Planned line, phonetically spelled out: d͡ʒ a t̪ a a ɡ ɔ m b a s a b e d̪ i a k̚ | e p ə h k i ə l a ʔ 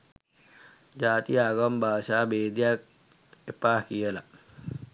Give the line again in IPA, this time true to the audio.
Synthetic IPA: d͡ʒ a t̪ i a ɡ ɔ m b a s a b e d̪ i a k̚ | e p a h k i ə l a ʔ

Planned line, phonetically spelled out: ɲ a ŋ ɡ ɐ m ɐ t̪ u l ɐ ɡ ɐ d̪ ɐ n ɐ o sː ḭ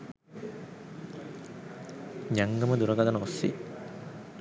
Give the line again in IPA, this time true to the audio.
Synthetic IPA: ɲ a ŋ ɡ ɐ m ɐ d̪ u ɾ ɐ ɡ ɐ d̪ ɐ n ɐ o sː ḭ

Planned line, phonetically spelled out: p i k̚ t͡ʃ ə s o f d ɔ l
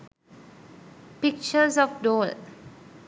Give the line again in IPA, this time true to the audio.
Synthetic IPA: p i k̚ t͡ʃ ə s ɔ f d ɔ l

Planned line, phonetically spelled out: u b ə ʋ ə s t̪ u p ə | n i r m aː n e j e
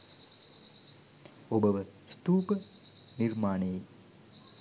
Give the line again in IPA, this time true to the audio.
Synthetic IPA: o b ə ʋ ə s t̪ uː p ə | n i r m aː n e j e

